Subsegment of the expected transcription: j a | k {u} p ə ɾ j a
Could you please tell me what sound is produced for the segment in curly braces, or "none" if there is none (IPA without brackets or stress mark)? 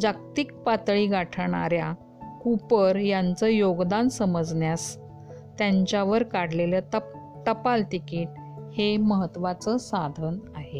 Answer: u